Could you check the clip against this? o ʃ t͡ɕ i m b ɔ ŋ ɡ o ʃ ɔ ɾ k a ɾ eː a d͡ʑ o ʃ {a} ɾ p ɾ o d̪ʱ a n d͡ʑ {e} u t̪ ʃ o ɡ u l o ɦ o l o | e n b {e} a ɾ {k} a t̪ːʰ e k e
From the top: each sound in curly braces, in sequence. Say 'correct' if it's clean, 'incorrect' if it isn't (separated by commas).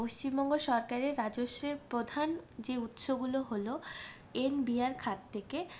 incorrect, correct, incorrect, incorrect